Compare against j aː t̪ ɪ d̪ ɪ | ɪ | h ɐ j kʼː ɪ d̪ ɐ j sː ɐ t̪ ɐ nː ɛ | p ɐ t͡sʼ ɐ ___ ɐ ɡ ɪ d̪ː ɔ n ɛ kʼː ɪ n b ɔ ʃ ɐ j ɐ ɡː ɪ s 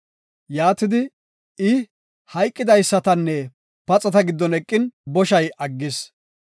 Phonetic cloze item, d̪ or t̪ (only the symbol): t̪